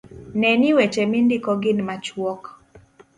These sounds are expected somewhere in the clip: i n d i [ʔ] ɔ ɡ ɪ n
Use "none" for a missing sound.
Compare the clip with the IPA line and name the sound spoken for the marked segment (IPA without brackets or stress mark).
k